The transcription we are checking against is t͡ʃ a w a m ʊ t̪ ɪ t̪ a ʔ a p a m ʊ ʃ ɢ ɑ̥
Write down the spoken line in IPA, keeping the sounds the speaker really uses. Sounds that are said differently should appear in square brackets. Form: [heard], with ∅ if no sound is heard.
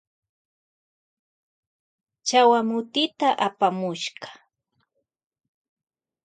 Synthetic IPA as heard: t͡ʃ a w a m ʊ t̪ ɪ t̪ a ʔ a p a m ʊ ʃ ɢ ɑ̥